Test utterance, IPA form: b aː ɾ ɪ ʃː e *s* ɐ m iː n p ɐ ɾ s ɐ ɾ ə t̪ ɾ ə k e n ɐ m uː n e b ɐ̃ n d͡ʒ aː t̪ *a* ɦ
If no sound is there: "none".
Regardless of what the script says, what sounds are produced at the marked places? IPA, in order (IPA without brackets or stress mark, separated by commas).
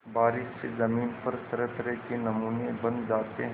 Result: z, e